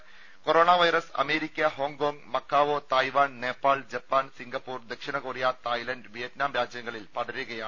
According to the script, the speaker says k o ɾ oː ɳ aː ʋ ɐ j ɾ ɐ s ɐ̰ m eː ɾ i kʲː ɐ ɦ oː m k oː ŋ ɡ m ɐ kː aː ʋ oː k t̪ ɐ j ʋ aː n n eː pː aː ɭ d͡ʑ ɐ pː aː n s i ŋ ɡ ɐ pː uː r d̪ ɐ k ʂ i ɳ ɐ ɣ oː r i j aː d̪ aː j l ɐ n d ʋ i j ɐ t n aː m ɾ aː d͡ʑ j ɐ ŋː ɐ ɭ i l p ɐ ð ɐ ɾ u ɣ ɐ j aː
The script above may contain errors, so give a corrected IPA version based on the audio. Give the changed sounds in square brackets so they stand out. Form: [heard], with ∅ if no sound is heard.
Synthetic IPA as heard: k o ɾ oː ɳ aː ʋ ɐ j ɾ ɐ s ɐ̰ m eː ɾ i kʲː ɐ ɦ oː [ŋ] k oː ŋ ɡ m ɐ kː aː ʋ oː [∅] t̪ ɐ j ʋ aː n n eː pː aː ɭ d͡ʑ ɐ pː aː n s i ŋ ɡ ɐ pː uː r d̪ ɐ k ʂ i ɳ ɐ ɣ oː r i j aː [t̪] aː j l ɐ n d ʋ i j ɐ t n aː m ɾ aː d͡ʑ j ɐ ŋː ɐ ɭ i l p ɐ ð ɐ ɾ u ɣ ɐ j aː